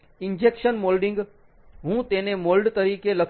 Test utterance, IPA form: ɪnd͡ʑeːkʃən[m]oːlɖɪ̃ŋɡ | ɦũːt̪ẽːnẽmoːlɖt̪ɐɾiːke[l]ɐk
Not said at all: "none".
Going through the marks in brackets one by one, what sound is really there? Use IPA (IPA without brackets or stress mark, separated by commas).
m, l